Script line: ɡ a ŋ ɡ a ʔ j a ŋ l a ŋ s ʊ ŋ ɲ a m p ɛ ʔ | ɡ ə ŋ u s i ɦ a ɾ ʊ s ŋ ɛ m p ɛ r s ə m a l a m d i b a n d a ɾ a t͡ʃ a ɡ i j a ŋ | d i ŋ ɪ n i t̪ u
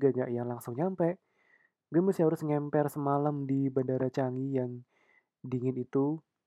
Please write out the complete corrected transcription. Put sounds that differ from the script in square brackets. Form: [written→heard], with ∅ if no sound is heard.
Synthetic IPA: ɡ a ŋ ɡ a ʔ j a ŋ l a ŋ s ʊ ŋ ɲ a m p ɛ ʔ | ɡ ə [ŋ→m] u s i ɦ a ɾ ʊ s ŋ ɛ m p ɛ r s ə m a l a m d i b a n d a ɾ a t͡ʃ a [ɡ→ŋ] i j a ŋ | d i ŋ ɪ n i t̪ u